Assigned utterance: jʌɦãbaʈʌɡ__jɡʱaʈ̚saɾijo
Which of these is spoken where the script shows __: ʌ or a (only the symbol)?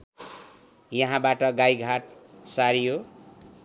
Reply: a